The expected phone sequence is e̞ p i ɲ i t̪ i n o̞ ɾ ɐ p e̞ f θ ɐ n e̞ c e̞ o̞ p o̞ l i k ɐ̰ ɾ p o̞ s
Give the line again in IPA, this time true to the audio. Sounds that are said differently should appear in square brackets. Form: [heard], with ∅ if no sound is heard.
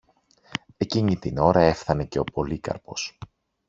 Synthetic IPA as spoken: e̞ [c] i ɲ i t̪ i n o̞ ɾ ɐ [∅] e̞ f θ ɐ n e̞ c e̞ o̞ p o̞ l i k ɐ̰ ɾ p o̞ s